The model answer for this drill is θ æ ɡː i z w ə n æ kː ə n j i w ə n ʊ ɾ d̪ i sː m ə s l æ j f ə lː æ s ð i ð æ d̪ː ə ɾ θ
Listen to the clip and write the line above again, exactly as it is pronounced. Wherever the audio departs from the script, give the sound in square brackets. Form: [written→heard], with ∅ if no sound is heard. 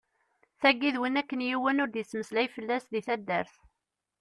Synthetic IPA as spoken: θ æ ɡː i [z→ð] w ə n æ kː ə n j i w ə n ʊ ɾ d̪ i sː m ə s l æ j f ə lː æ s ð i [ð→θ] æ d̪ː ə ɾ θ